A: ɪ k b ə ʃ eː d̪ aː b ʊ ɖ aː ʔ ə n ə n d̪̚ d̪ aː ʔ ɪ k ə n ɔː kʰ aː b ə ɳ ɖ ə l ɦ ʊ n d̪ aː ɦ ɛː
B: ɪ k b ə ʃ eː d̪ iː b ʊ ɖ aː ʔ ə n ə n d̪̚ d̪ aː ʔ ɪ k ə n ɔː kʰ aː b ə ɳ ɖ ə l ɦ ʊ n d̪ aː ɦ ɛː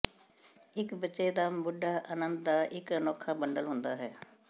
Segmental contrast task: A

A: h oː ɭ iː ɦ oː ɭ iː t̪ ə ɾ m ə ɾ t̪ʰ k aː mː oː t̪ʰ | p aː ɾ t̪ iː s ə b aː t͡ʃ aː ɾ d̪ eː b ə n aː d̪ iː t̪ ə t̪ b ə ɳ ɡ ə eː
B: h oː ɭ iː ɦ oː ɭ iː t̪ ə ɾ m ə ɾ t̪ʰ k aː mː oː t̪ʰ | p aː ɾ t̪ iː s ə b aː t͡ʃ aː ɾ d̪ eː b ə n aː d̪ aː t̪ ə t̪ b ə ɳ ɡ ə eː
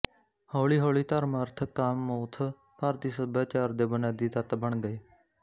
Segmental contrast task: A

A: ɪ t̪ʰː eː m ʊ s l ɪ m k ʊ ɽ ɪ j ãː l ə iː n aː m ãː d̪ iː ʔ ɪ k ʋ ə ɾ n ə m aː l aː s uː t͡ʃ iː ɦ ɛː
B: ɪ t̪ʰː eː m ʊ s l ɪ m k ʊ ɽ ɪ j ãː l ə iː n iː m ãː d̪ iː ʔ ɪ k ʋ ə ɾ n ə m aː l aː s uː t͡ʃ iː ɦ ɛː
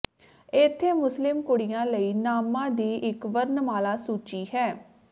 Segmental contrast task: A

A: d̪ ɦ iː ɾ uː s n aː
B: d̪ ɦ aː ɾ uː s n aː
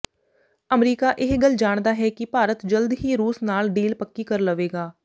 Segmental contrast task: A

